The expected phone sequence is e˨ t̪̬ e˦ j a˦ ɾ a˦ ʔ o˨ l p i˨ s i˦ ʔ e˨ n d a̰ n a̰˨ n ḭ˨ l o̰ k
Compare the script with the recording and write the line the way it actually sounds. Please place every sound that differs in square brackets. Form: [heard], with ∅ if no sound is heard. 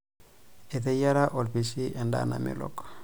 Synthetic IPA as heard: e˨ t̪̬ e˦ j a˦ ɾ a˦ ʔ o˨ l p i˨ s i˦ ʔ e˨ n d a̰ n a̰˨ [m] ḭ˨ l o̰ k

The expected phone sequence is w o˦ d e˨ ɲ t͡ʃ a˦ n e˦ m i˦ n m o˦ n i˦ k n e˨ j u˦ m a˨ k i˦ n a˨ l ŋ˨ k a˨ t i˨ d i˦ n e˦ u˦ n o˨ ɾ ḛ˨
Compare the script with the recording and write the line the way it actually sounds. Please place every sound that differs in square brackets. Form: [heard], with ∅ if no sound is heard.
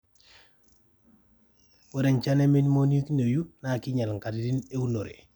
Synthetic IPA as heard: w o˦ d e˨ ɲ t͡ʃ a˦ n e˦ m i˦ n m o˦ n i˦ k n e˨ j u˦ [n] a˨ k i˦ [ɲ] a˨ l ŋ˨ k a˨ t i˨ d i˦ n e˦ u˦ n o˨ ɾ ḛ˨

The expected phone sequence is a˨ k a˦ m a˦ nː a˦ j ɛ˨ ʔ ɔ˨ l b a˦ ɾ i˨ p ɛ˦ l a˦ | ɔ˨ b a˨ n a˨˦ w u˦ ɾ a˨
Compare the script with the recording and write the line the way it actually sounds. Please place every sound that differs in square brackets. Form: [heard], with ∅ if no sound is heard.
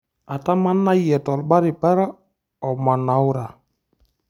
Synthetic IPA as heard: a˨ [t] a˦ m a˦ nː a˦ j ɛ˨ [t] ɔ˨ l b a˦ ɾ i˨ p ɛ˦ [ɾ] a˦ | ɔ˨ [m] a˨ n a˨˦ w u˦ ɾ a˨

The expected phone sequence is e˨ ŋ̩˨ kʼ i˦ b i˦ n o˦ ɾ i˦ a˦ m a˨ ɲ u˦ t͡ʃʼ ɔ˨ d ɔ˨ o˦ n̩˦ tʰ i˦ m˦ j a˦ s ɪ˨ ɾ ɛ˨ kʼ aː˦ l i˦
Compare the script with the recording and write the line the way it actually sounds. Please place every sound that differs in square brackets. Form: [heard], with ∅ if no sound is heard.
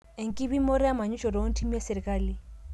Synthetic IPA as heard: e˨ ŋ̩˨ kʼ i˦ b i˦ [m] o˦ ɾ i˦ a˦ m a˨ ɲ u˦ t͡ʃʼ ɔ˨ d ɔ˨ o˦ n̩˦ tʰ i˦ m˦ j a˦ s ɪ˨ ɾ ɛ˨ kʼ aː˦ l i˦

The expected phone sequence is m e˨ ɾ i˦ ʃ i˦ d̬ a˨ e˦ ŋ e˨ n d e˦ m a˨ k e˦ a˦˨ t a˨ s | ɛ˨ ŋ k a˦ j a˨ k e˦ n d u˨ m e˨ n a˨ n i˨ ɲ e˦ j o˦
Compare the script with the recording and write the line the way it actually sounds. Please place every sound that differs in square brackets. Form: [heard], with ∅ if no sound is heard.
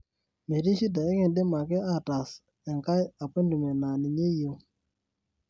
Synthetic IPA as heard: m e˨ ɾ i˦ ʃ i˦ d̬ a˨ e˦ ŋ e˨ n d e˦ m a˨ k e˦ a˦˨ t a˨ s | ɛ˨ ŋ k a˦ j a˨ [p] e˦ n d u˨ m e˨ n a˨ n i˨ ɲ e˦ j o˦

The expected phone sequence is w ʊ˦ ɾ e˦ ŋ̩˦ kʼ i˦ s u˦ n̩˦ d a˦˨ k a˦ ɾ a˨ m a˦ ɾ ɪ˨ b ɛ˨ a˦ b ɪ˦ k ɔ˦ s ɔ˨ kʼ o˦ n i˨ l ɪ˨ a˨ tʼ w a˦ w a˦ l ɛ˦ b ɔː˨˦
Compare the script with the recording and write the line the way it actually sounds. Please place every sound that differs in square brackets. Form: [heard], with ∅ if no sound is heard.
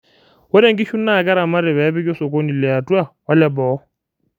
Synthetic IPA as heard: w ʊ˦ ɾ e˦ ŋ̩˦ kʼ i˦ [ʃ] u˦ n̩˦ [n] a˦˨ k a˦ ɾ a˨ m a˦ ɾ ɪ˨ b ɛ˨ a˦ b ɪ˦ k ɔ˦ s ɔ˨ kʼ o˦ n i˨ l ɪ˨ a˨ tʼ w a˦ w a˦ l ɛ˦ b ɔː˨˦

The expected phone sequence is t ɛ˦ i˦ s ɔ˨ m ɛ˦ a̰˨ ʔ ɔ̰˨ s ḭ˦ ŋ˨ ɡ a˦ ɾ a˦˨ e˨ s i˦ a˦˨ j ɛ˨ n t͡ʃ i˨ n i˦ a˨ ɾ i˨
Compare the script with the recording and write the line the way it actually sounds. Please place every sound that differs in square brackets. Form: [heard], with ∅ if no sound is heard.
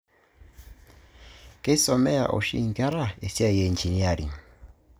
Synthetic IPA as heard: [k] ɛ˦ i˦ s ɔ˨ m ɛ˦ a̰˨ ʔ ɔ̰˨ [ʃ] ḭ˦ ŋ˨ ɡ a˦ ɾ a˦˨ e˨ s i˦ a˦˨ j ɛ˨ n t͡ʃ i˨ n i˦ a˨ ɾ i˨

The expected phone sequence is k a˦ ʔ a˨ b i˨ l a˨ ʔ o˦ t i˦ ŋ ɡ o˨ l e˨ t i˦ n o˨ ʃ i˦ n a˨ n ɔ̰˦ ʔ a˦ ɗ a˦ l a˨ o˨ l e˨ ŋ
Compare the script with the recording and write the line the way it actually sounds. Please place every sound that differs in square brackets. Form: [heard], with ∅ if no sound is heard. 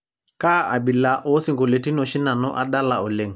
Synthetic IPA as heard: k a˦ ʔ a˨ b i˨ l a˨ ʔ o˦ [s] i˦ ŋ ɡ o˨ l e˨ t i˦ n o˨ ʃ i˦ n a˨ n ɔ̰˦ ʔ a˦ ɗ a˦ l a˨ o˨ l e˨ ŋ

